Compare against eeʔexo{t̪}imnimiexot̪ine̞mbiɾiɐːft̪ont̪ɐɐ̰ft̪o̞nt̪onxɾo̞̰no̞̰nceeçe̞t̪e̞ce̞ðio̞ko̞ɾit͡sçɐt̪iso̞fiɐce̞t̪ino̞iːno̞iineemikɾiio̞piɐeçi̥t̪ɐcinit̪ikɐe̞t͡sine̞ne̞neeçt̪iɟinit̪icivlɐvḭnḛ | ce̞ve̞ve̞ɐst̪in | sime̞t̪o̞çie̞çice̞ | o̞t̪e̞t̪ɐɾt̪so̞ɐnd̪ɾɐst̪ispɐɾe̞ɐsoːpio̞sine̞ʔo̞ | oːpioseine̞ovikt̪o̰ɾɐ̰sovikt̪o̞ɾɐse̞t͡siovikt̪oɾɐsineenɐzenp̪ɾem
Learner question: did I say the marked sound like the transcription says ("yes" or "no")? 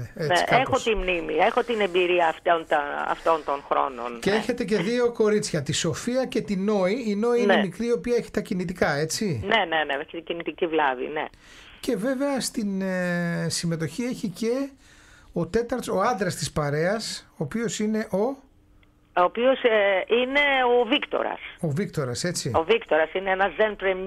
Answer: yes